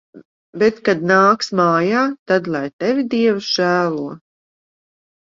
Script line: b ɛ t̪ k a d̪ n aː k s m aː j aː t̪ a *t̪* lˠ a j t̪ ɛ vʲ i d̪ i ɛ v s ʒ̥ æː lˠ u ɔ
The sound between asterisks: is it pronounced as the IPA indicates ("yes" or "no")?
no